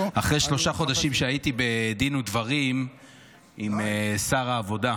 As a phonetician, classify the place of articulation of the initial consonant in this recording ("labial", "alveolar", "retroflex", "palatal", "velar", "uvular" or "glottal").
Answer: uvular